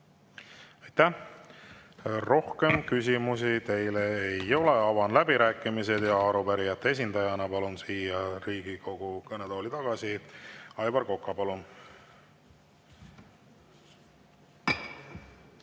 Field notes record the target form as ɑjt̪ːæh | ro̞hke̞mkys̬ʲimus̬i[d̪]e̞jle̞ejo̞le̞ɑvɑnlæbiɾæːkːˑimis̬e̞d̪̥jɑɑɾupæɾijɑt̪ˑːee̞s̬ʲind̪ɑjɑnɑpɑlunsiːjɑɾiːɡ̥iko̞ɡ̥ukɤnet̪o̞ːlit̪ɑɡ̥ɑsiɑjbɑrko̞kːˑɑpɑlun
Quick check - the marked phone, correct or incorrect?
incorrect